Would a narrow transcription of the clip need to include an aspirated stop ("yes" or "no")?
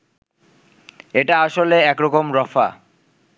no